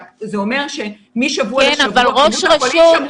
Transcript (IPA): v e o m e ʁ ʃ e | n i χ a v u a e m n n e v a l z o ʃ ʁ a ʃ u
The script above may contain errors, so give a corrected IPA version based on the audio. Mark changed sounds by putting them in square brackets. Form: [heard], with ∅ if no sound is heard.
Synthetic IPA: [z] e o m e ʁ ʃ e | [m] i [ʃ] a v u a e [∅] n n [a] v a l [ʁ] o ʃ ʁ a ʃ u